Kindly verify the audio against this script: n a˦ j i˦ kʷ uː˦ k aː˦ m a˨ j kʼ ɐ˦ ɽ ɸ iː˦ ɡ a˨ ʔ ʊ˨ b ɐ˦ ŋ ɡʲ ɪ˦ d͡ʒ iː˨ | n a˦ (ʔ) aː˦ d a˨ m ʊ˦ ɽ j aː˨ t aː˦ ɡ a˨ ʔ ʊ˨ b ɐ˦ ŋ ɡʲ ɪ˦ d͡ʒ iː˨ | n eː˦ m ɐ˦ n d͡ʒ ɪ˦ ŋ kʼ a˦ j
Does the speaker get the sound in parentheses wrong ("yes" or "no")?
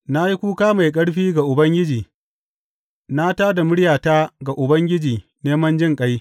yes